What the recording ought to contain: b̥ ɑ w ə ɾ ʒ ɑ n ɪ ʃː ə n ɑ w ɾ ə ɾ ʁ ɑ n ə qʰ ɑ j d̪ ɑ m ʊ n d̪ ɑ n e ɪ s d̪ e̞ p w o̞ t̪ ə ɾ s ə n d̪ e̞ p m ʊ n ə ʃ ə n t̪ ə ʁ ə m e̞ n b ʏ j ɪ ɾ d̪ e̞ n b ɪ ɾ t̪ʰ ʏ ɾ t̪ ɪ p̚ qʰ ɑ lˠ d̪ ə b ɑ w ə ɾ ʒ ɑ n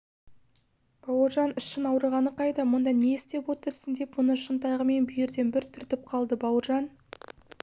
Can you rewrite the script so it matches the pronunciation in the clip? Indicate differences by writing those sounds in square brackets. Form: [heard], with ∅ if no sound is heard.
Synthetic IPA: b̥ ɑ w ə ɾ ʒ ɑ n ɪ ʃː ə n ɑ w ɾ ə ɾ ʁ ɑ n ə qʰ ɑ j d̪ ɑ m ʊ n d̪ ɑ n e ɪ s [t̪] e̞ p w o̞ t̪ ə ɾ s ə n d̪ e̞ p m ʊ n ə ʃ ə n t̪ [ɑ] ʁ ə m e̞ n b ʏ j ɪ ɾ d̪ e̞ n b ɪ ɾ t̪ʰ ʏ ɾ t̪ ɪ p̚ qʰ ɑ lˠ d̪ ə b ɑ w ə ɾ ʒ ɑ n